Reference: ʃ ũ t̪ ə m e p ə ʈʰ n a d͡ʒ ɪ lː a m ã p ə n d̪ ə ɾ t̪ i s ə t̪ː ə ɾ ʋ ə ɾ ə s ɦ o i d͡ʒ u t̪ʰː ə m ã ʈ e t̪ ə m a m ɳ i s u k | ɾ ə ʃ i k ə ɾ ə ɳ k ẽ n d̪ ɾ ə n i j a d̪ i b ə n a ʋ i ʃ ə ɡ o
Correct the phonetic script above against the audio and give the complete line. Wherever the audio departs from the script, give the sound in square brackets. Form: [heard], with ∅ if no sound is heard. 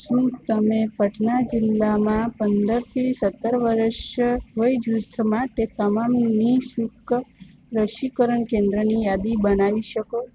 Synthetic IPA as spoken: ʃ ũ t̪ ə m e p ə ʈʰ n a d͡ʒ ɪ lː a m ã p ə n d̪ ə ɾ [t̪ʰ] i s ə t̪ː ə ɾ ʋ ə ɾ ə [ʃ] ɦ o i d͡ʒ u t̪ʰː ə m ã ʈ e t̪ ə m a m [n] i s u k | ɾ ə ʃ i k ə ɾ ə ɳ k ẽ n d̪ ɾ ə n i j a d̪ i b ə n a ʋ i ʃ ə [k] o